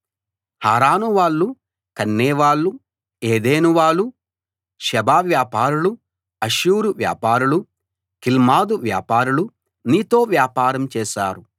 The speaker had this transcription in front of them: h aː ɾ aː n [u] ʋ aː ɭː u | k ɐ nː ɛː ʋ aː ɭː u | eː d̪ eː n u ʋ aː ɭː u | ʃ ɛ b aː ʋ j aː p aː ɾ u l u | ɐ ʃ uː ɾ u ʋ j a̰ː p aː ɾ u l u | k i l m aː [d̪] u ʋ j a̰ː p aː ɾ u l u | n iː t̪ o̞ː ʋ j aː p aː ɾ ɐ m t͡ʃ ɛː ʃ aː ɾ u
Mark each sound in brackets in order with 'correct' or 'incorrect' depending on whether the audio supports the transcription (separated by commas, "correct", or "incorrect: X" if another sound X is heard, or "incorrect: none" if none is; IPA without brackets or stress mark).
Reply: correct, correct